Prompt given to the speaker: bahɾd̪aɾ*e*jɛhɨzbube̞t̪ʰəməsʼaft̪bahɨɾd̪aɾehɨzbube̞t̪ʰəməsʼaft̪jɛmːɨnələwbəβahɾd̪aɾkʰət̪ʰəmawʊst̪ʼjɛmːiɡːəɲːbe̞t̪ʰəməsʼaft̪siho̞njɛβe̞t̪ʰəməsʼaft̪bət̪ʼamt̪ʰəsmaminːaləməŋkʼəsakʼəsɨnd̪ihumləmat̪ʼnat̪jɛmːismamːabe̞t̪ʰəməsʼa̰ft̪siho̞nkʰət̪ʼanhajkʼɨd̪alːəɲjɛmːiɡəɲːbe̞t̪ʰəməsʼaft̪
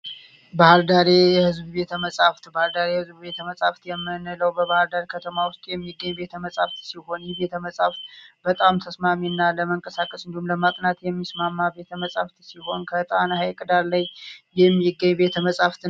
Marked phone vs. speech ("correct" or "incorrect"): correct